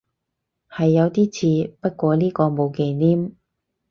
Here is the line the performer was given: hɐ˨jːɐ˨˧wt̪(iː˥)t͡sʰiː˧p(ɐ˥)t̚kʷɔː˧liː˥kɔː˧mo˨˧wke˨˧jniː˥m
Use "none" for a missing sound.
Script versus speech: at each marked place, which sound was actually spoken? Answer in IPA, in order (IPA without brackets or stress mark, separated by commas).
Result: iː˥, ɐ˥